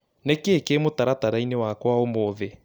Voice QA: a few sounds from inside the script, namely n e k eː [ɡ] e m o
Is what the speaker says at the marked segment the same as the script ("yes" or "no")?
no